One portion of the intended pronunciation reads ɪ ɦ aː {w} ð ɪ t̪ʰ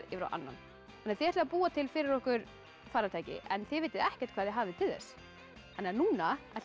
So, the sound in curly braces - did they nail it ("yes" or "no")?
no